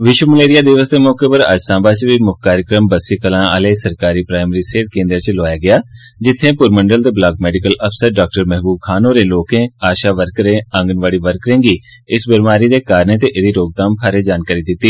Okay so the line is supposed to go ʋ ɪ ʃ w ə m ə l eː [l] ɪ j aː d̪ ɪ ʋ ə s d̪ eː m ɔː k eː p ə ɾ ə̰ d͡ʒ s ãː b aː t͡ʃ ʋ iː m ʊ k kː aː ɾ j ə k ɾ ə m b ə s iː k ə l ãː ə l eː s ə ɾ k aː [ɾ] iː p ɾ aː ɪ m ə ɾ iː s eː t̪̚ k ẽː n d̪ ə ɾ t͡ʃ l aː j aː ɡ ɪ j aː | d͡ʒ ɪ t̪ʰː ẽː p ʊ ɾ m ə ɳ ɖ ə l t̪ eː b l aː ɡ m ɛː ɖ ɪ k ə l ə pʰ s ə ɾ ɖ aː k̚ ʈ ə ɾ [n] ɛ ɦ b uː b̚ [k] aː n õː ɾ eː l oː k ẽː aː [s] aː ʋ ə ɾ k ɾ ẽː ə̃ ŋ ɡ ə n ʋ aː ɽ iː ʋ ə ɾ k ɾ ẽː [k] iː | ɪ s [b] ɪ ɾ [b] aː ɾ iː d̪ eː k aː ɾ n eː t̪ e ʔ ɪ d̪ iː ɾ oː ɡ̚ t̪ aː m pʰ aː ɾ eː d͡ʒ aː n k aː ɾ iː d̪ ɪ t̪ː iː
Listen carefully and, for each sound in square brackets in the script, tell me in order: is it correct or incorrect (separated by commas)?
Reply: incorrect, correct, incorrect, incorrect, incorrect, incorrect, correct, incorrect